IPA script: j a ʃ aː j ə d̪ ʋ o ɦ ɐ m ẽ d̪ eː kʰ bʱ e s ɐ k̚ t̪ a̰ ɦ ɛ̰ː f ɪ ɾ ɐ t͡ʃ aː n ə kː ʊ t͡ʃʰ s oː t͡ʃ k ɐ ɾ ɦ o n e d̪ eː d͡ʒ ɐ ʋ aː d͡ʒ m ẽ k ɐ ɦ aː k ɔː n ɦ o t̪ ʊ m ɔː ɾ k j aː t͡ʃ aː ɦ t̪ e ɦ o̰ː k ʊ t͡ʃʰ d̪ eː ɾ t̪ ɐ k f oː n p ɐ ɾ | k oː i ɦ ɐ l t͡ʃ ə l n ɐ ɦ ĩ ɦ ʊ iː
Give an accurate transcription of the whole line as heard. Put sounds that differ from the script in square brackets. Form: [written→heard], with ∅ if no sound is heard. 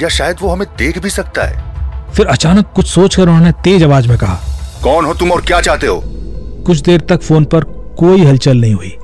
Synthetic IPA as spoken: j a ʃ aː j ə d̪ ʋ o ɦ ɐ m ẽ d̪ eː kʰ bʱ [e→i] s ɐ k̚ t̪ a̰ ɦ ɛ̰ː f ɪ ɾ ɐ t͡ʃ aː n ə kː ʊ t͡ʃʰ s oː t͡ʃ k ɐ ɾ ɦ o n e [d̪→t̪] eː d͡ʒ ɐ ʋ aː d͡ʒ m ẽ k ɐ ɦ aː k ɔː n ɦ o t̪ ʊ m ɔː ɾ k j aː t͡ʃ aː ɦ t̪ e ɦ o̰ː k ʊ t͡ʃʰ d̪ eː ɾ t̪ ɐ k f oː n p ɐ ɾ | k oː i ɦ ɐ l t͡ʃ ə l n ɐ ɦ ĩ ɦ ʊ iː